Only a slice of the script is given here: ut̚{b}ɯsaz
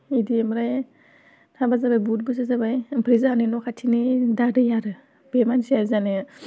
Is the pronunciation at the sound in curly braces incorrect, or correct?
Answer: correct